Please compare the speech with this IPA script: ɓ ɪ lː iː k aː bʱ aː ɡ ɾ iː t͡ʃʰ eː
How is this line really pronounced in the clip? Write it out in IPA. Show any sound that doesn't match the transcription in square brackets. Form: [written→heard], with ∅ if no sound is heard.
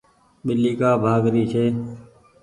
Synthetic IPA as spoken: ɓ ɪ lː iː k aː bʱ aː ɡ ɾ iː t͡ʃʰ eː